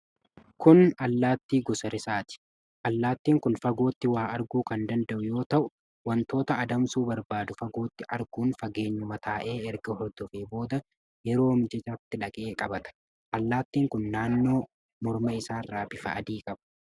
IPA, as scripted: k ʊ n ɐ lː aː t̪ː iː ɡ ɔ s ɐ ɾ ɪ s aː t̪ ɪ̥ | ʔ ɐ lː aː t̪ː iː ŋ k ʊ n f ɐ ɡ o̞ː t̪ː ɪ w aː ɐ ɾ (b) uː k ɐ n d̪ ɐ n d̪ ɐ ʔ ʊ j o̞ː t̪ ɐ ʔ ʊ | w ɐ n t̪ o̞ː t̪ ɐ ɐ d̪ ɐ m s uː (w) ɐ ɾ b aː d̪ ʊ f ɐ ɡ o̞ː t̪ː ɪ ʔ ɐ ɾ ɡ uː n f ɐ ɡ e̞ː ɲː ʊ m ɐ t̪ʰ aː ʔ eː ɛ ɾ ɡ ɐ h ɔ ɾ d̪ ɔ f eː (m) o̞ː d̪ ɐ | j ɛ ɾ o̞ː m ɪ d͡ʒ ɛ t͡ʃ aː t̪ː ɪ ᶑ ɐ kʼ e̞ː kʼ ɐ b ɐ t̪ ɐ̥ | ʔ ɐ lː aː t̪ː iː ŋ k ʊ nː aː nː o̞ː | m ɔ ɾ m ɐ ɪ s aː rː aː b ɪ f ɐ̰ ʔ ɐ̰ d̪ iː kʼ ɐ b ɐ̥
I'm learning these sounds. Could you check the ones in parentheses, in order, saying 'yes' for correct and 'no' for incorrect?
no, no, no

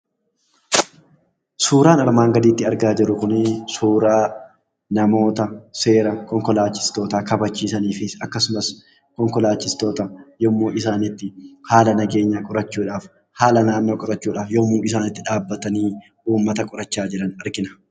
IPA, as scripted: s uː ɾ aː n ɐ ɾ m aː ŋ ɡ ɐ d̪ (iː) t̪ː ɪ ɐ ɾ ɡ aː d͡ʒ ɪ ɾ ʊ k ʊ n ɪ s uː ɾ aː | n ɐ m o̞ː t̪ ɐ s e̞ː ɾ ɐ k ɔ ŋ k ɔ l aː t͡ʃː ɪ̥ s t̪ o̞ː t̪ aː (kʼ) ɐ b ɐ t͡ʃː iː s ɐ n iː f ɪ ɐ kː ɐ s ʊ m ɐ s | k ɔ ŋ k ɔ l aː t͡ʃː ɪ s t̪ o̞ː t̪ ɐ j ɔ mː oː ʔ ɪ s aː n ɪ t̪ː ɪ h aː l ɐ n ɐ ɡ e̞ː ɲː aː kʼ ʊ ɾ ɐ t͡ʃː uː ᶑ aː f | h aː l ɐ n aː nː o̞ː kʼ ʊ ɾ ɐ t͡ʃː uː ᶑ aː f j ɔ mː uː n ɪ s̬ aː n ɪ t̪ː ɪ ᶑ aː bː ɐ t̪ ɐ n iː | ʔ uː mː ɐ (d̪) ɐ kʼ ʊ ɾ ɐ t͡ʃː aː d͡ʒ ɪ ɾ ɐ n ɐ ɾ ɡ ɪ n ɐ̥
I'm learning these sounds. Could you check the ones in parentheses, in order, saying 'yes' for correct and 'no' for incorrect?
yes, no, no

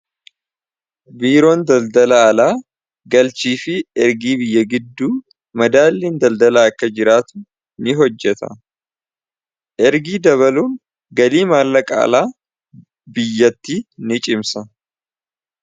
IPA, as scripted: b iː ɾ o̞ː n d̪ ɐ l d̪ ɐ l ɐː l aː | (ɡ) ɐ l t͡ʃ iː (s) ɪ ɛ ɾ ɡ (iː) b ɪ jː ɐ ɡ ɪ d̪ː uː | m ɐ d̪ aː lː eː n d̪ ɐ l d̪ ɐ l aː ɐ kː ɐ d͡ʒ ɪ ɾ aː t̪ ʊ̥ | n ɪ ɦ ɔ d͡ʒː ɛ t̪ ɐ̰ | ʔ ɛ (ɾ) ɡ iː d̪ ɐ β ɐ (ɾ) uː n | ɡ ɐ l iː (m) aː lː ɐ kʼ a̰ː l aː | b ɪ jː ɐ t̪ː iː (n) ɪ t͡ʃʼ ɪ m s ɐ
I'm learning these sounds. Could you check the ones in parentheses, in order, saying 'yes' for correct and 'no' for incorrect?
yes, no, yes, yes, no, yes, yes

